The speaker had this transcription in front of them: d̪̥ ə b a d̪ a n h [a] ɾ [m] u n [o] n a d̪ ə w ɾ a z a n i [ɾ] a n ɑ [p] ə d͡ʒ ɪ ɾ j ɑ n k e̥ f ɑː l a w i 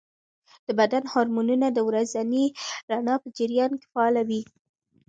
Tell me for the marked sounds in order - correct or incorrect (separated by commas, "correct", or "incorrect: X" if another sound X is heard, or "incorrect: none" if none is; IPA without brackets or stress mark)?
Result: incorrect: ɑ, correct, incorrect: u, correct, correct